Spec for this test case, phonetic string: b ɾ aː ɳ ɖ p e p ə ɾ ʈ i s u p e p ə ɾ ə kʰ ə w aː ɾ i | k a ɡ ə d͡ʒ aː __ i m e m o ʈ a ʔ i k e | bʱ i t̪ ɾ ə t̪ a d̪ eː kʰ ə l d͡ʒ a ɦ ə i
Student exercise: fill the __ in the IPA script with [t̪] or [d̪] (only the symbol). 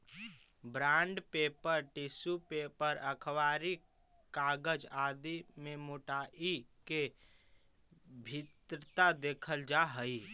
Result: d̪